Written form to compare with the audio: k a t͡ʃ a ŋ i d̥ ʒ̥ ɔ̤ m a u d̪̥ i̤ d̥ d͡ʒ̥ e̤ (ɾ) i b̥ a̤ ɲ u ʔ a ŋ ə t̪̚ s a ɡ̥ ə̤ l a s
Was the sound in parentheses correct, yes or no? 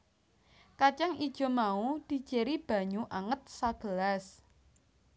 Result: yes